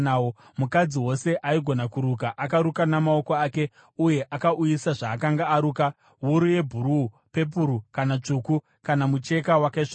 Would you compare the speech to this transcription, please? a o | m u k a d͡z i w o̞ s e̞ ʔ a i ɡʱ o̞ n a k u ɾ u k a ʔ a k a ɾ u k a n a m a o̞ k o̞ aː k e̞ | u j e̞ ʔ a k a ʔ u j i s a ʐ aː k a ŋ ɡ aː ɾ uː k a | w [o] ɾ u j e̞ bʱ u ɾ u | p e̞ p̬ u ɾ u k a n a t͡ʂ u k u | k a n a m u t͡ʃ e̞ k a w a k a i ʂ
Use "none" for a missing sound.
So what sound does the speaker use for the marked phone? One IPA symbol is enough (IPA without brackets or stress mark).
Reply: u